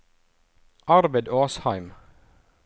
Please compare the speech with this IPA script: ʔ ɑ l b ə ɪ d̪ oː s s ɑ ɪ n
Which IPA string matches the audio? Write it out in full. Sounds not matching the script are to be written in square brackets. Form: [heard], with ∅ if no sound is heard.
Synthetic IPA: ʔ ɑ [ɾ] b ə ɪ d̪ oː s [h] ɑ ɪ [m]